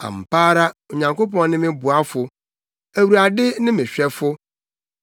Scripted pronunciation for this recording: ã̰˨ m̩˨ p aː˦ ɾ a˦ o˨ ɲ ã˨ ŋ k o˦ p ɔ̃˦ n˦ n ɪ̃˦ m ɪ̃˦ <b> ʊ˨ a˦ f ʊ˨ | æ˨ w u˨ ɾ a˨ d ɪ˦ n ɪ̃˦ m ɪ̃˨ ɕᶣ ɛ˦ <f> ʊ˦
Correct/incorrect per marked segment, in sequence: correct, correct

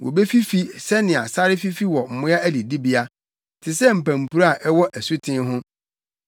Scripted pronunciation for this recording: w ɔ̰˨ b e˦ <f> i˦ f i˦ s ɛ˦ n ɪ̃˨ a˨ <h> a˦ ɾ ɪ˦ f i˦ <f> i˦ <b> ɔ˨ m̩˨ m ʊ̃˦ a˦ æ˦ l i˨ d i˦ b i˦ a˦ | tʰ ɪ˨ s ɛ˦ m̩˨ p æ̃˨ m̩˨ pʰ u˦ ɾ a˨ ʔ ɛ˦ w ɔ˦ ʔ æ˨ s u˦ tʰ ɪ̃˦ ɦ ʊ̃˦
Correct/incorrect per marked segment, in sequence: correct, incorrect: s, correct, incorrect: w

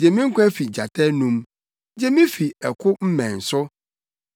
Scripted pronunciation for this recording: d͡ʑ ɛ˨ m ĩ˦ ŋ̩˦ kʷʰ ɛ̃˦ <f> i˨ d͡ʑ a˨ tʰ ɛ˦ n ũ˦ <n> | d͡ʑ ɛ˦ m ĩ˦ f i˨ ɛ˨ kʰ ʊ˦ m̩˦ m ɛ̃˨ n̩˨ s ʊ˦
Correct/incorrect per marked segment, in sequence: correct, incorrect: m

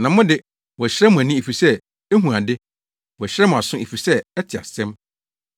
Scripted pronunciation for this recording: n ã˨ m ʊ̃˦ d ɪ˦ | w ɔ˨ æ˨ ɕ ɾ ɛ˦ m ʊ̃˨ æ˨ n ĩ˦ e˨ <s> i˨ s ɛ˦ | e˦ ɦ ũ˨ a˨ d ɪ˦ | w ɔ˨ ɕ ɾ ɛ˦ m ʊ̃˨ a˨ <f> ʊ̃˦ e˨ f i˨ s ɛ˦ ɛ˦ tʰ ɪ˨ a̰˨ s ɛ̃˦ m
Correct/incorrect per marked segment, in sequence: incorrect: f, incorrect: s

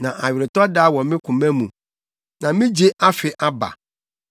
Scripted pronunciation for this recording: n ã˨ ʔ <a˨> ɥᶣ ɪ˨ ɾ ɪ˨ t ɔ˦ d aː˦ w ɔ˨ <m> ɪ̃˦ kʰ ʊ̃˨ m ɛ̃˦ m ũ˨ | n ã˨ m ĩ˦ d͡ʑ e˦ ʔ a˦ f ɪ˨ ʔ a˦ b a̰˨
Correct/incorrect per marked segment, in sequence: correct, correct

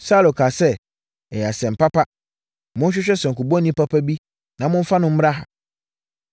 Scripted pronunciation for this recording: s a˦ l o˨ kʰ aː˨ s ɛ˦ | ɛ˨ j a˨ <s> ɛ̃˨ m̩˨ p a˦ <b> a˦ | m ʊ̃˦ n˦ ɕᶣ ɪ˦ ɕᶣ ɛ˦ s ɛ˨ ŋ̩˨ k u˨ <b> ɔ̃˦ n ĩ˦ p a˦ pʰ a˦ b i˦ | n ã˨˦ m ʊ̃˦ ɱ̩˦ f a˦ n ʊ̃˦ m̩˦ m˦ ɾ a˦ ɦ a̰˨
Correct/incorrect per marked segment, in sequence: correct, incorrect: p, correct

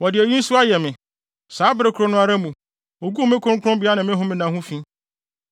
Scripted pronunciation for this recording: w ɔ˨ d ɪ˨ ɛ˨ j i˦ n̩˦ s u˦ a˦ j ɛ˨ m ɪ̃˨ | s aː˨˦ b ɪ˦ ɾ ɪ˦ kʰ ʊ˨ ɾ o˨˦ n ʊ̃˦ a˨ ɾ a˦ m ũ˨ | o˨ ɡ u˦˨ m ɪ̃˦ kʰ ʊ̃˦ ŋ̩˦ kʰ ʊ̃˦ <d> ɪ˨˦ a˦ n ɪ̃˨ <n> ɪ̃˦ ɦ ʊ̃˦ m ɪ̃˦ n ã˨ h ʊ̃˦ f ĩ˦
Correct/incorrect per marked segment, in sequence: incorrect: b, incorrect: m

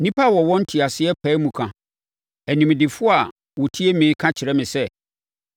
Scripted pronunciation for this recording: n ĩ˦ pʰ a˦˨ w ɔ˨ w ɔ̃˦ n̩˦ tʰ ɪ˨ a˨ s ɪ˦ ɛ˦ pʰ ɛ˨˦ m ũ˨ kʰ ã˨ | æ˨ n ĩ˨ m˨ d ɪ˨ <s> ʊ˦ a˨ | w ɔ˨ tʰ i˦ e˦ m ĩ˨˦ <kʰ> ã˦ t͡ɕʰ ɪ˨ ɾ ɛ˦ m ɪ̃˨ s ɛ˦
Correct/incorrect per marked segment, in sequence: incorrect: f, correct

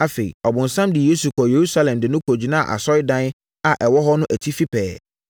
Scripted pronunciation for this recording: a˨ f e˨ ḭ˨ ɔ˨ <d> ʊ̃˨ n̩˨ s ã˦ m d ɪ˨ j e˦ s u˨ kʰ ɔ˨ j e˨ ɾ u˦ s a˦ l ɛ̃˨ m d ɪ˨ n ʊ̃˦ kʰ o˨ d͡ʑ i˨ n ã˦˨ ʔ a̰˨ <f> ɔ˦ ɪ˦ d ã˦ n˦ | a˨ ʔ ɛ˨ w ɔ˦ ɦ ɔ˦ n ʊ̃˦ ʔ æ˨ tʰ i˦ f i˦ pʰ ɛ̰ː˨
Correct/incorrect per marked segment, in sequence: incorrect: b, incorrect: s

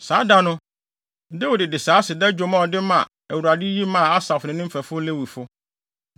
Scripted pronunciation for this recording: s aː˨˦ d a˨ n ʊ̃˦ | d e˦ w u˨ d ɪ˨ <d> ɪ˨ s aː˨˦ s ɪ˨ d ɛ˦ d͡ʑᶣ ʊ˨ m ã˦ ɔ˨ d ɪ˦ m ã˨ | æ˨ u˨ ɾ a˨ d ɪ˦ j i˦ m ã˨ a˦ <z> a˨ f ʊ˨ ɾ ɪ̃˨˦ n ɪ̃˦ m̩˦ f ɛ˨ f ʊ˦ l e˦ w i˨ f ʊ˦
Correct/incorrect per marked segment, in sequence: correct, incorrect: s

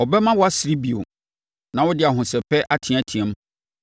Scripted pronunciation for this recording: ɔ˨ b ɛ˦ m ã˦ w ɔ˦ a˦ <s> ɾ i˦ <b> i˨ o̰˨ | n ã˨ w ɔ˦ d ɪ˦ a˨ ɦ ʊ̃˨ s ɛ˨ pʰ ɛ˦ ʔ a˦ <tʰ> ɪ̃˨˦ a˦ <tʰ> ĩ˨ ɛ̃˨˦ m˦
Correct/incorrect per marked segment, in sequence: correct, correct, correct, correct

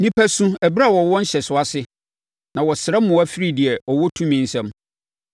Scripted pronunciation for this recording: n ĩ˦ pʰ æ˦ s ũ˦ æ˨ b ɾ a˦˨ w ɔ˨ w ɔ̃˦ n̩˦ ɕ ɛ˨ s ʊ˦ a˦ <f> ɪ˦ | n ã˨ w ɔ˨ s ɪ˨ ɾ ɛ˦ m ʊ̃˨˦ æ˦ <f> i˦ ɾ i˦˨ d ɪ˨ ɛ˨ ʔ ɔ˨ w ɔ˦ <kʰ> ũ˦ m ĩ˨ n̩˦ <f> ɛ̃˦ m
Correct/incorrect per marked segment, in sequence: incorrect: s, correct, incorrect: tʰ, incorrect: s

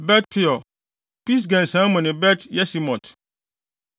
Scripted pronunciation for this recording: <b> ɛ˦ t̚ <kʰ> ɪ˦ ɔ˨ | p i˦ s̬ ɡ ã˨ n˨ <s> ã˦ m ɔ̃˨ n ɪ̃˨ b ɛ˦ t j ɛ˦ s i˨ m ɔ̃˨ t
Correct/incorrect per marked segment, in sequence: correct, incorrect: pʰ, correct

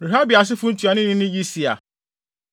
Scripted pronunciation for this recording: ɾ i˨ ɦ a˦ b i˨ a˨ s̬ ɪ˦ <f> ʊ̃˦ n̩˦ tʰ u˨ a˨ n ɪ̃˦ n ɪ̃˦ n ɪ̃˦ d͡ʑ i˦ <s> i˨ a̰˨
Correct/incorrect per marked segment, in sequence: correct, correct

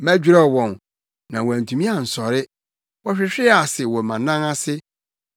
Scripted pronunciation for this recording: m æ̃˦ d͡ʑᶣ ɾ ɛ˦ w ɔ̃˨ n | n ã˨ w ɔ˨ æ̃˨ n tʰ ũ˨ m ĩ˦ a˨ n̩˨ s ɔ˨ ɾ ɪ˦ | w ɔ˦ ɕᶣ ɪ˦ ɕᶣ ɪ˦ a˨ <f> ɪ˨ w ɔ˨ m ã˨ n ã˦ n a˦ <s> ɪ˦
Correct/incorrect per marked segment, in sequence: incorrect: s, correct

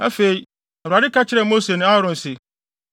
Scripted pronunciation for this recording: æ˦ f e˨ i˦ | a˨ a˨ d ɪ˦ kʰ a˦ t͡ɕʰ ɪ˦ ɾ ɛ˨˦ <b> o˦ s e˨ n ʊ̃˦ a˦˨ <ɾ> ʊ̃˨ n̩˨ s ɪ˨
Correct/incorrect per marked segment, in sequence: incorrect: m, correct

